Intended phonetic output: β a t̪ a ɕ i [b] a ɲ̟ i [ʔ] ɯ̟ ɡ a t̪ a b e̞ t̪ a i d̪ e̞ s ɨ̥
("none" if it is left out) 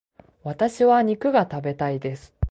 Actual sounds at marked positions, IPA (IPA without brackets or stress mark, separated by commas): β, k